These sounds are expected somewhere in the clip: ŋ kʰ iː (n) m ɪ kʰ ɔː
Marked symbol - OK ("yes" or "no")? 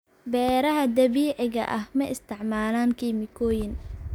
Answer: no